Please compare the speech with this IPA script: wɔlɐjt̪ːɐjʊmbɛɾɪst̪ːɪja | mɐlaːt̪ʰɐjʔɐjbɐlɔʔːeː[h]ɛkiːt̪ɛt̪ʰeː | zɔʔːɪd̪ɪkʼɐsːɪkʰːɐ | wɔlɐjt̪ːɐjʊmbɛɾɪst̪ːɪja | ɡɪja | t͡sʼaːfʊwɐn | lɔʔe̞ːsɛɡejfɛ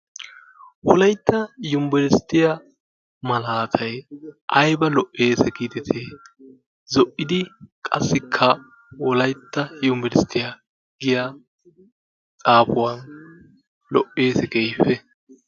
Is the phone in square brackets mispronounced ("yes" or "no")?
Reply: yes